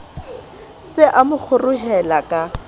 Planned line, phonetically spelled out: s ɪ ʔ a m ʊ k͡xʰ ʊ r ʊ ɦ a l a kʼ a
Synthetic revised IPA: s ɪ ʔ a m ʊ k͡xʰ ʊ r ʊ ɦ ɛ l a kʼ a